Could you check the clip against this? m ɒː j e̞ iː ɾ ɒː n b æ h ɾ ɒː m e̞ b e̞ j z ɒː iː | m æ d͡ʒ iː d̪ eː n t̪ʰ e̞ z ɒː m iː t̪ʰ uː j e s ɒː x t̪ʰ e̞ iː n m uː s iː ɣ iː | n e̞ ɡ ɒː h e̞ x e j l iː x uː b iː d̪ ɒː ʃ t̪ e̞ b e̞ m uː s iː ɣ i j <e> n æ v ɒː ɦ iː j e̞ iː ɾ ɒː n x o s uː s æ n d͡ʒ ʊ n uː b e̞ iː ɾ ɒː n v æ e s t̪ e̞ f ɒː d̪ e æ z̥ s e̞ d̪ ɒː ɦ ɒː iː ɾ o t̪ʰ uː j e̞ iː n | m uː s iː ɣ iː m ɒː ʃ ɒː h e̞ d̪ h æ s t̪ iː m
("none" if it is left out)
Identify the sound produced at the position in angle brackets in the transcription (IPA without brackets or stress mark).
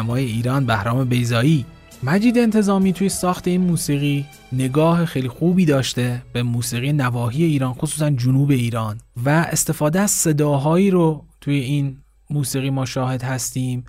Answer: e